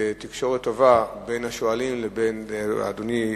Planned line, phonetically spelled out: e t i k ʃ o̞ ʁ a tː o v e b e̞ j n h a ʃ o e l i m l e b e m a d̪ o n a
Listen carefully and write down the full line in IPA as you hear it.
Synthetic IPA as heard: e t i k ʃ o̞ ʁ e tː o v a b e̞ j n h a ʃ o a l i m l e b e n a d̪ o n i